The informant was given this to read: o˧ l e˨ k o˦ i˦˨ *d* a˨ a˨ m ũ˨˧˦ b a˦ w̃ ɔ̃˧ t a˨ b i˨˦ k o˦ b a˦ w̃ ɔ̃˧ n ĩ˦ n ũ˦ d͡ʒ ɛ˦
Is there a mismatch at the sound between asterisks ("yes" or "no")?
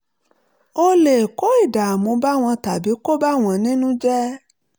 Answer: no